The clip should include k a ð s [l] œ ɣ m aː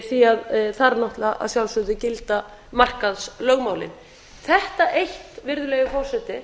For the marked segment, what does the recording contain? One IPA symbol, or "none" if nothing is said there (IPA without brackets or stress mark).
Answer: l